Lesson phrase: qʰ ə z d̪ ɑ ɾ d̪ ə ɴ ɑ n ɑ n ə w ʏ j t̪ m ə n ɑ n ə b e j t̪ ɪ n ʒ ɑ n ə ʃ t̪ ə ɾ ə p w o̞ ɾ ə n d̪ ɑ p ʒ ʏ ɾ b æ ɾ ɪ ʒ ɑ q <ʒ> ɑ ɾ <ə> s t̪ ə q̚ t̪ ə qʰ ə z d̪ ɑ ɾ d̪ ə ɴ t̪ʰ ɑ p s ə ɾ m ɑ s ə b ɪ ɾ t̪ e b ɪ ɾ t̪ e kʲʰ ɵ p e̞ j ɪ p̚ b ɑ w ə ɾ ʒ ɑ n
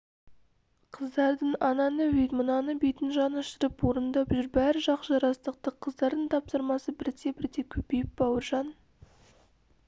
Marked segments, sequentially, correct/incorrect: correct, incorrect

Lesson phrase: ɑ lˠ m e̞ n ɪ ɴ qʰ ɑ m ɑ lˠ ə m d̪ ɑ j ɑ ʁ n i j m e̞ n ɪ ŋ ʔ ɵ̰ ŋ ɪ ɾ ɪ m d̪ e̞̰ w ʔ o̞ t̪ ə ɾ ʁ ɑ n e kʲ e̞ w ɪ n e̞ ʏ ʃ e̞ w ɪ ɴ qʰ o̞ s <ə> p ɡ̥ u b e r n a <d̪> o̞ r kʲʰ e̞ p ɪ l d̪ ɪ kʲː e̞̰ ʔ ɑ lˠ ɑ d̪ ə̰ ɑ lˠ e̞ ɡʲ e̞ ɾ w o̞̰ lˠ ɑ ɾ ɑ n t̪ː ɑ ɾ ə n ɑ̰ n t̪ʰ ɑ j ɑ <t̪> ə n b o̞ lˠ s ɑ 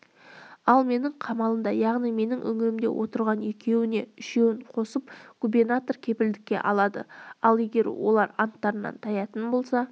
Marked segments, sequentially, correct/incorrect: correct, incorrect, correct

